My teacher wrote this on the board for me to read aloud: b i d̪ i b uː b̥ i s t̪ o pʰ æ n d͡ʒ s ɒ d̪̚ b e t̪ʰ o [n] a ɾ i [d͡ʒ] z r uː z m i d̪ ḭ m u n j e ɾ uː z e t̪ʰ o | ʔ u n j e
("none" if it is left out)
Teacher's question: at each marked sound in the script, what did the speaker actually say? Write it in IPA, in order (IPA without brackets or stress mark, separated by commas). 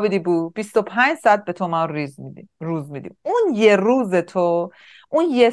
m, none